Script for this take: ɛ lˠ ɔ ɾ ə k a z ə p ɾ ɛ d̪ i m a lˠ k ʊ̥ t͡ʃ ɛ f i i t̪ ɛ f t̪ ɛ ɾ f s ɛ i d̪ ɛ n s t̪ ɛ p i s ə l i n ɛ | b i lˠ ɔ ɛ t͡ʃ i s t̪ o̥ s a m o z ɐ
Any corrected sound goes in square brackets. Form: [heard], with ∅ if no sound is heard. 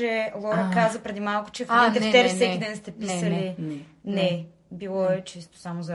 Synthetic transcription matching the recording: ɛ lˠ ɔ ɾ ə k a z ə p ɾ ɛ d̪ i m a lˠ k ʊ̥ t͡ʃ ɛ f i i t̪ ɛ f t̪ ɛ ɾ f s ɛ i d̪ ɛ n s t̪ ɛ p i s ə l i n ɛ | b i lˠ ɔ ɛ t͡ʃ i s t̪ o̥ s a m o z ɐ